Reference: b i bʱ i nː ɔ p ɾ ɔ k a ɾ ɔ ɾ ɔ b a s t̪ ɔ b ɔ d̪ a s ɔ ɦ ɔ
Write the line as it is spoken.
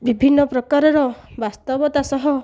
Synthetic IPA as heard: b i bʱ i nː ɔ p ɾ ɔ k a ɾ ɔ ɾ ɔ b a s t̪ ɔ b ɔ t̪ a s ɔ ɦ ɔ